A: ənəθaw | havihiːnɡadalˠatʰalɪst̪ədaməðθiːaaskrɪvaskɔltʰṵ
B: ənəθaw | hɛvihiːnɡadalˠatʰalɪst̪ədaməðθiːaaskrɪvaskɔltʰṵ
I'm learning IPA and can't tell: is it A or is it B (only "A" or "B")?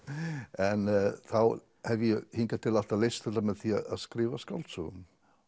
B